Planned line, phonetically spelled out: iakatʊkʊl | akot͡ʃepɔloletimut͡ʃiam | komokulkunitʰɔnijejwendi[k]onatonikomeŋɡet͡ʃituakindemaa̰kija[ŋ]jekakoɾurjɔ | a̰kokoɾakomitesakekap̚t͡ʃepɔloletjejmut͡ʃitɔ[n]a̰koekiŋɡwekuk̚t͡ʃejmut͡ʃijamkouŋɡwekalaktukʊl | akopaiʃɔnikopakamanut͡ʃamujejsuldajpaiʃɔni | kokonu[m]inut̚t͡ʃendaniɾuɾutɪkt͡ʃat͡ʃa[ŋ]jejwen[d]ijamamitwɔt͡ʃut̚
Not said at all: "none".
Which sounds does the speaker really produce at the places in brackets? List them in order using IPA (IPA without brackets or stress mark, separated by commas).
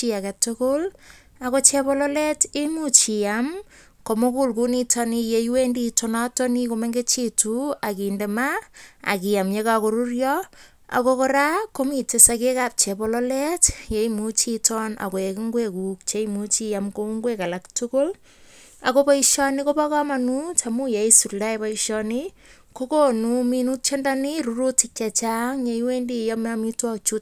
t, m, n, m, ŋ, d